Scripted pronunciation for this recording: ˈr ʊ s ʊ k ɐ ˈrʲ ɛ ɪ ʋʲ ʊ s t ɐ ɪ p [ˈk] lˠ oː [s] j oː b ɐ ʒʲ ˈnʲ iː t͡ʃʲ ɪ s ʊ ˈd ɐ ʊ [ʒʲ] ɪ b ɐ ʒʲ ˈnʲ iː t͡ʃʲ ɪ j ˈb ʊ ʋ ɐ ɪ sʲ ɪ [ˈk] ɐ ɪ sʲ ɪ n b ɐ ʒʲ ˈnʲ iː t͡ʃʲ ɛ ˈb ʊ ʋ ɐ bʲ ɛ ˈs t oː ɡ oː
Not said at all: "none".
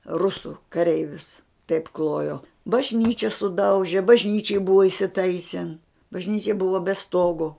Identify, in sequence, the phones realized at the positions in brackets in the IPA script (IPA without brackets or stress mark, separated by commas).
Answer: k, none, ʒʲ, t